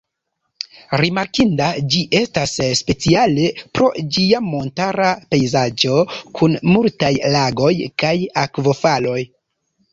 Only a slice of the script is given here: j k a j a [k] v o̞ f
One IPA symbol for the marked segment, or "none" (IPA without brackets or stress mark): k